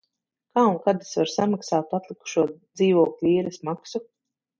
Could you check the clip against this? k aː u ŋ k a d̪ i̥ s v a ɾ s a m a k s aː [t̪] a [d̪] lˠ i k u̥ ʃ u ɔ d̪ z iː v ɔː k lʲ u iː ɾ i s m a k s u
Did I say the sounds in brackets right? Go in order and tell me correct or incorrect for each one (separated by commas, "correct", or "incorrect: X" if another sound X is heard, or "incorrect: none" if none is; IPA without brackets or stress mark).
correct, incorrect: t̪